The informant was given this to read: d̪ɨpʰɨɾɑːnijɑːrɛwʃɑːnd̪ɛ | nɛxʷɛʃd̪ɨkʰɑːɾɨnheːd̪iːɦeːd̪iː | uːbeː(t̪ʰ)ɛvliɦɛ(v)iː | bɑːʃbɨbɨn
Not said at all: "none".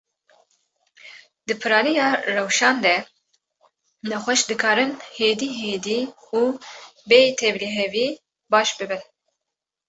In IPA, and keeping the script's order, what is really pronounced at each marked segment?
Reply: t̪ʰ, v

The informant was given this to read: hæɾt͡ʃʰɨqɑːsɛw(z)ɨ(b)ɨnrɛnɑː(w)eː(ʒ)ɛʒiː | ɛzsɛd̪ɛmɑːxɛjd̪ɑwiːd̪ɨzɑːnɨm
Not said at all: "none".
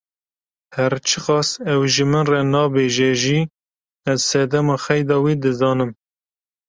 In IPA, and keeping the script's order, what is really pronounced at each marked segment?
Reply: ʒ, m, b, ʒ

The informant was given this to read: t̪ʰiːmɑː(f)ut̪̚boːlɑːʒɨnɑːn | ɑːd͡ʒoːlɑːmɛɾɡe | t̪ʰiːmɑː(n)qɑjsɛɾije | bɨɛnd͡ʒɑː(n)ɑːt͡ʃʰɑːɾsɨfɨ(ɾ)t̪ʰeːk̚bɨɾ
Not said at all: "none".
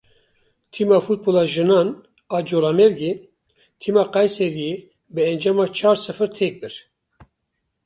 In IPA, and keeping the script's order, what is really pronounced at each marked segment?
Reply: f, none, m, ɾ

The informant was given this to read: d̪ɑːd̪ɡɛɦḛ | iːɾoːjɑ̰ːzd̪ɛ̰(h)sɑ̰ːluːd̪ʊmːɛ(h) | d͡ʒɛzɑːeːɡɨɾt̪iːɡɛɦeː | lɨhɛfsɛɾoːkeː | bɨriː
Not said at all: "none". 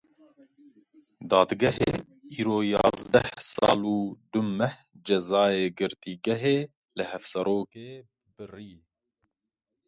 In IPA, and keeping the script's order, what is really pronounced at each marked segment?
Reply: h, h

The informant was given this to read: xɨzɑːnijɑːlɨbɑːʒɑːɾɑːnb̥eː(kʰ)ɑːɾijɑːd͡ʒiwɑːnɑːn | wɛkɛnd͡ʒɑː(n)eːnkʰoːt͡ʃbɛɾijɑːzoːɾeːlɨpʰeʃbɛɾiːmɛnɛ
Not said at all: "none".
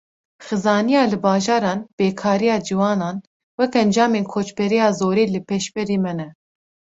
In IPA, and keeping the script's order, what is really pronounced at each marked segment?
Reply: kʰ, m

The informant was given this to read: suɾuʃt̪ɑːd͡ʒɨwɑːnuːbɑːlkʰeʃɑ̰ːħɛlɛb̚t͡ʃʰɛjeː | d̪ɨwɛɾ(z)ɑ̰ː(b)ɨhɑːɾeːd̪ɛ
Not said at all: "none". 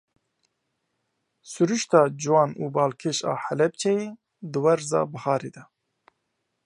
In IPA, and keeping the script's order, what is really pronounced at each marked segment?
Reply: z, b

